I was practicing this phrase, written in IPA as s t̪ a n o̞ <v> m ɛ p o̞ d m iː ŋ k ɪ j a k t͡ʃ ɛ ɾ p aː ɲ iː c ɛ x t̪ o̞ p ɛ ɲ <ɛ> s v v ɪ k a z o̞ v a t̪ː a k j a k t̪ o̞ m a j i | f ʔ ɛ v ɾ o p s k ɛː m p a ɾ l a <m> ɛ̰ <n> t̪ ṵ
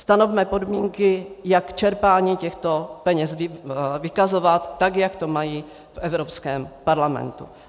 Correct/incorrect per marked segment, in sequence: correct, correct, correct, correct

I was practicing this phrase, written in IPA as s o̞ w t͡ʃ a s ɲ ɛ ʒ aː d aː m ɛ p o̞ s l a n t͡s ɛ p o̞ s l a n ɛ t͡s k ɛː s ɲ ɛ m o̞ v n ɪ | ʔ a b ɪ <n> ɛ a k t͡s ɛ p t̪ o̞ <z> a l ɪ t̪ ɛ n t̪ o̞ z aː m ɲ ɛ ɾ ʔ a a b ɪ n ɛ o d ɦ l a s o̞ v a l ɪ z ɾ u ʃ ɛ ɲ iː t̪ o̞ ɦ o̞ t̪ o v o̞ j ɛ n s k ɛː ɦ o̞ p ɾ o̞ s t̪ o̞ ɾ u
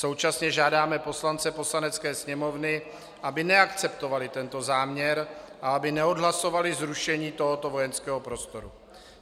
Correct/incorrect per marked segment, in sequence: correct, incorrect: v

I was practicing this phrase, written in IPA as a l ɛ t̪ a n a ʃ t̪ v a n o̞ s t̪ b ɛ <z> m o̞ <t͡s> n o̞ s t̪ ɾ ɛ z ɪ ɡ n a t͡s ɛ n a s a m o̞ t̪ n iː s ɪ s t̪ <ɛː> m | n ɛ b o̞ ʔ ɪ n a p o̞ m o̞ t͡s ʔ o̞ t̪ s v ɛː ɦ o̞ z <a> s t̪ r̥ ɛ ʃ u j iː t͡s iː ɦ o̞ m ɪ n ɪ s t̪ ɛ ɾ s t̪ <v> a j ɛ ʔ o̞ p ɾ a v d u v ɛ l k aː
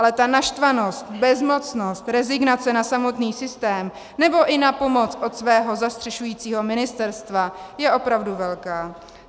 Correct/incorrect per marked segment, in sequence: correct, correct, correct, correct, correct

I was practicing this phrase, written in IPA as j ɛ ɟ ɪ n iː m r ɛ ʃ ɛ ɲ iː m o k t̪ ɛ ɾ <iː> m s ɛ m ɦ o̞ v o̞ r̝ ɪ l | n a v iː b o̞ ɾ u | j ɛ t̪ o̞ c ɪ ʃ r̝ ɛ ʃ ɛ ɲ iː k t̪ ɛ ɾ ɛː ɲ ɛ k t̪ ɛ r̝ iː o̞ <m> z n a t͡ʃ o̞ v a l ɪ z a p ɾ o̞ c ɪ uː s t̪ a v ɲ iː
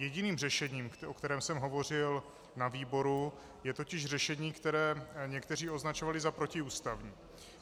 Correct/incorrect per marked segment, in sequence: incorrect: ɛː, incorrect: none

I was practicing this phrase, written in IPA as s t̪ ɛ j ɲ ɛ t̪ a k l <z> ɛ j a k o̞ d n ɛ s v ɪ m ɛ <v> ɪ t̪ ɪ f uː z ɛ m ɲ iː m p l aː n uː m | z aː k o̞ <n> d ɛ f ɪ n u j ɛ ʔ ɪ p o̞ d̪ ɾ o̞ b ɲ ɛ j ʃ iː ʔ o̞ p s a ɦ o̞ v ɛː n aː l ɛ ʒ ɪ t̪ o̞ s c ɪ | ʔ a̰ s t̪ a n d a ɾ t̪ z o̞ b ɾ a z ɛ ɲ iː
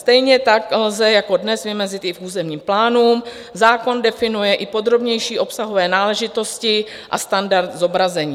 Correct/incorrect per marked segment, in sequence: correct, incorrect: z, correct

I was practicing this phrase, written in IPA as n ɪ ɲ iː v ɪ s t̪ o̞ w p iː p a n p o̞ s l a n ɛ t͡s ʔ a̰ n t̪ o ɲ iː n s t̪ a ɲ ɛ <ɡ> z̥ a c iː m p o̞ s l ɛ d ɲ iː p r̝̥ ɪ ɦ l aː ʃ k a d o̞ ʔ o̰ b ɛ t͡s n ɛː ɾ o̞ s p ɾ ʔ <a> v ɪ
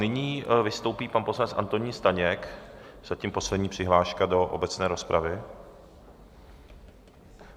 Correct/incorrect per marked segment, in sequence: incorrect: k, correct

